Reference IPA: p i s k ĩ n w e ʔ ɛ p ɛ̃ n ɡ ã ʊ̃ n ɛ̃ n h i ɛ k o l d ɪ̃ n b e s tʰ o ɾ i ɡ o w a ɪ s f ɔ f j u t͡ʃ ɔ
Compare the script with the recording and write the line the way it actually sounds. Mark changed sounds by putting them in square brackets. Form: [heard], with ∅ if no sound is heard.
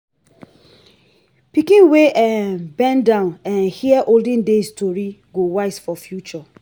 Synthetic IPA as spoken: p i [∅] k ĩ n w e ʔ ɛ [b] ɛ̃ n [d] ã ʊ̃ n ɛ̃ n h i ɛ [ʔ] o l d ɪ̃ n [d] e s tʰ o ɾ i ɡ o w a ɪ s f ɔ f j u t͡ʃ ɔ

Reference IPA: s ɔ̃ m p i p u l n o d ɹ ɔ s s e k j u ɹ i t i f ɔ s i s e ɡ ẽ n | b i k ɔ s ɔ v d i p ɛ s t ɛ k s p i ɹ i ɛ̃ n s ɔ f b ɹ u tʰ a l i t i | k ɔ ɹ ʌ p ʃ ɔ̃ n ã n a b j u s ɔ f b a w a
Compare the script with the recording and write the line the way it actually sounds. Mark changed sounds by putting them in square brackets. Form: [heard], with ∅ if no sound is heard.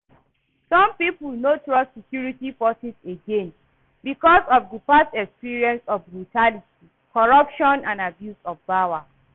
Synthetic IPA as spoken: s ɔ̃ m p i p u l n o [t] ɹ ɔ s s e k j u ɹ i t i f ɔ s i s e ɡ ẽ n | b i k ɔ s ɔ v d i p [a] s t ɛ k s p i ɹ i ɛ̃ n s ɔ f b ɹ u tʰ a l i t i | k ɔ ɹ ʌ p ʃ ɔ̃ n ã n a b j u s ɔ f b a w a

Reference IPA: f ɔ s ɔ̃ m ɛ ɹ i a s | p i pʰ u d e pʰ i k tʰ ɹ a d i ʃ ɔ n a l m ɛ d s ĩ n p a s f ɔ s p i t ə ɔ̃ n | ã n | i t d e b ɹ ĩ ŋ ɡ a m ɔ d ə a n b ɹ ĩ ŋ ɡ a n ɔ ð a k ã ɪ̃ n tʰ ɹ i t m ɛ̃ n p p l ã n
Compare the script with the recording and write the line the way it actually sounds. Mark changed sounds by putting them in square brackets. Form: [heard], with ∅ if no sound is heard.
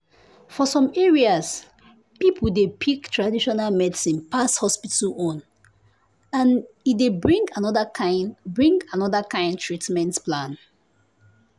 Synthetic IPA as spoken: f ɔ s ɔ̃ m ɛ ɹ i a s | p i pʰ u d e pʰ i k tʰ ɹ a d i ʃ ɔ n a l m ɛ d s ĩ n p a s [h] ɔ s p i t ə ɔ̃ n | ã n | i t d e b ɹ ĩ ŋ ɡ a [n] ɔ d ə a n b ɹ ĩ ŋ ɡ a n ɔ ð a k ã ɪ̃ n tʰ ɹ i t m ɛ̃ n [t] p l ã n

